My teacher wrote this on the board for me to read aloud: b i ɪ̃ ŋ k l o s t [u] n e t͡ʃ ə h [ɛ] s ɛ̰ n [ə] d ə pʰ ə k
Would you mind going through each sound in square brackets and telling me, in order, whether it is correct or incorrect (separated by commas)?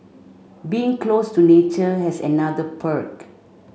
correct, correct, incorrect